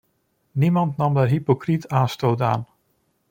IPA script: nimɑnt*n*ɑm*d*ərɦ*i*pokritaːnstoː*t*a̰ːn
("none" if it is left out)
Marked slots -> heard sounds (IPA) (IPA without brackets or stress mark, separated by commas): n, d, i, t